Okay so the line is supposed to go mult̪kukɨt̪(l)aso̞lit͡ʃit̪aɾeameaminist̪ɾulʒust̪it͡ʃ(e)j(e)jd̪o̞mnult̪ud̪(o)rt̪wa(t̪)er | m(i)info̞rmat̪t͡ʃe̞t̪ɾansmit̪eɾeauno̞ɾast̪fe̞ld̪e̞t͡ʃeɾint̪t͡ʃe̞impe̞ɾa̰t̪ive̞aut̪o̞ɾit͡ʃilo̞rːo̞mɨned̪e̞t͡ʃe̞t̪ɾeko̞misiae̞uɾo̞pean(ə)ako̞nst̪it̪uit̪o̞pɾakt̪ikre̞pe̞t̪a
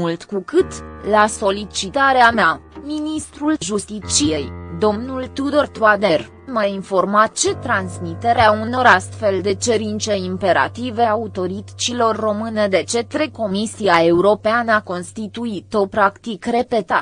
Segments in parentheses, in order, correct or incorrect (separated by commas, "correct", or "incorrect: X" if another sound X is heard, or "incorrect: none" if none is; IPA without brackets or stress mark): correct, incorrect: i, correct, correct, incorrect: d̪, incorrect: a, correct